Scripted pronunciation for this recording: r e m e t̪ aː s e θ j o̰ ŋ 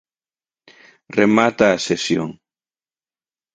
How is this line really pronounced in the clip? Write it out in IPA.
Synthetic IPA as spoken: r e m a t̪ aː s e s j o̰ ŋ